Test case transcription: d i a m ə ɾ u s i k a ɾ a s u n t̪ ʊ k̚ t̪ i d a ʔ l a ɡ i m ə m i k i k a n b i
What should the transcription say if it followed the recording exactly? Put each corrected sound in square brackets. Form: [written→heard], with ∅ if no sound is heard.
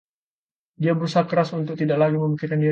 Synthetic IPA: d i a [m→b] ə ɾ u s [i→a] k [a→ə] ɾ a s u n t̪ ʊ k̚ t̪ i d a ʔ l a ɡ i m ə m i k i k a n [b→d] i